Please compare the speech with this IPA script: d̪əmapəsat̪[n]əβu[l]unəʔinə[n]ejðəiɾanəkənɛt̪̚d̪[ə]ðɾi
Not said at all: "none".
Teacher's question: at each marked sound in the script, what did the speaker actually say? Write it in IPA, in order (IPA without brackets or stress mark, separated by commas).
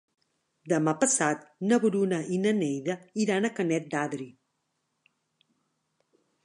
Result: n, ɾ, n, a